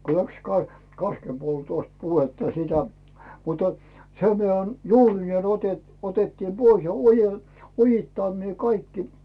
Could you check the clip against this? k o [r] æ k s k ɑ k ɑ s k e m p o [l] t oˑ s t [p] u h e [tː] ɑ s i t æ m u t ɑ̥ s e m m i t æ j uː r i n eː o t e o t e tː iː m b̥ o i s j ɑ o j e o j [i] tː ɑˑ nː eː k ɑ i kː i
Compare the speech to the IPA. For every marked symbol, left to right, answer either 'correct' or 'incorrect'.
incorrect: l, correct, correct, correct, correct

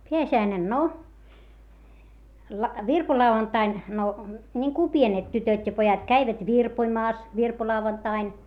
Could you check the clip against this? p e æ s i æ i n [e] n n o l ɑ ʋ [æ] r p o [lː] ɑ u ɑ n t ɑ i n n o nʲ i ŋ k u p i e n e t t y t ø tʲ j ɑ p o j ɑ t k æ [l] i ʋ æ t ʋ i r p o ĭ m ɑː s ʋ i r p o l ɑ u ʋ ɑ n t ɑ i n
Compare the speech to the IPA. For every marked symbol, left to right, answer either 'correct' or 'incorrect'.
correct, incorrect: i, incorrect: l, incorrect: none

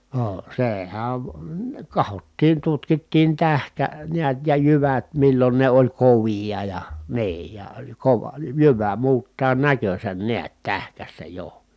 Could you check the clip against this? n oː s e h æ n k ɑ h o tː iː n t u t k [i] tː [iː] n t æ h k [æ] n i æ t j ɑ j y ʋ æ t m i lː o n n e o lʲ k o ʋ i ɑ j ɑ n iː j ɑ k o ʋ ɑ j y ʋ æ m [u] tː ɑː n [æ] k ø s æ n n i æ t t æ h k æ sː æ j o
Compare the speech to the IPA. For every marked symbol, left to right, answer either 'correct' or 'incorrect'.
correct, correct, correct, incorrect: uː, correct

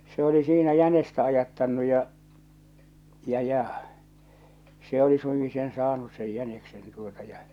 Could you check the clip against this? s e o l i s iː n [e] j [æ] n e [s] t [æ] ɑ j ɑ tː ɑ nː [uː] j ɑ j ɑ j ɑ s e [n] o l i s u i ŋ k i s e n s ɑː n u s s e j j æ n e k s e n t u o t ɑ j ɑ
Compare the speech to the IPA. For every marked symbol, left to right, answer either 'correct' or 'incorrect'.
incorrect: æ, correct, correct, correct, incorrect: u, incorrect: none

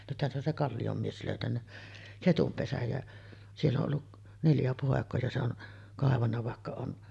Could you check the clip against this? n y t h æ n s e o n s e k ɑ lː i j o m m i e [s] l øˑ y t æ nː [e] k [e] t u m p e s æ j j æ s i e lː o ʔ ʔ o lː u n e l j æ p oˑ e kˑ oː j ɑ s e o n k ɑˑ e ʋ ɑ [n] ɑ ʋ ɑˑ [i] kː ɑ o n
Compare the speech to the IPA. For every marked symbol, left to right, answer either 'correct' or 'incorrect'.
correct, incorrect: æ, correct, incorrect: nː, incorrect: e

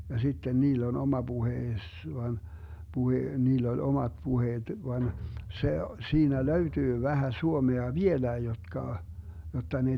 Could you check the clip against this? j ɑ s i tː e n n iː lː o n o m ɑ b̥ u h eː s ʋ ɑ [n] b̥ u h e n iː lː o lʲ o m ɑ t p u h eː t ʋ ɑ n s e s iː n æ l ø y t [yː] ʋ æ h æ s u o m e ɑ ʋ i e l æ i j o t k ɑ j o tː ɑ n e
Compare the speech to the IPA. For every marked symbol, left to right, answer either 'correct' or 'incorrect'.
correct, correct

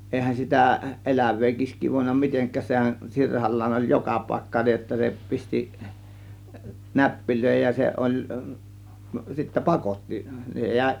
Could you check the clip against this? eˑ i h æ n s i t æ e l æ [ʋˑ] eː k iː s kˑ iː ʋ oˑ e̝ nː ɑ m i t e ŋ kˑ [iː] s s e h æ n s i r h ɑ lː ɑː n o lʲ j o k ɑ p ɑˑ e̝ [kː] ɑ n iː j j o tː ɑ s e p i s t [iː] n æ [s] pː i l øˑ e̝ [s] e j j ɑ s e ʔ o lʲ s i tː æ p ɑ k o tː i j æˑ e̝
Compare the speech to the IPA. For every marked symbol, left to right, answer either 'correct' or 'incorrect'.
correct, incorrect: æː, correct, incorrect: i, incorrect: none, incorrect: h

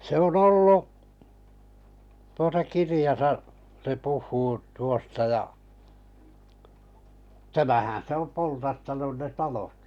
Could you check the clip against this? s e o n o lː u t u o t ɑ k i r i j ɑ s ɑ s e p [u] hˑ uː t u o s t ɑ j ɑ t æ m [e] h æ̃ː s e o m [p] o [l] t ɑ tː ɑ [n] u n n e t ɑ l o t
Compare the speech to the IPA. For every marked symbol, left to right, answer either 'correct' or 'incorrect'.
correct, incorrect: æ, correct, correct, correct

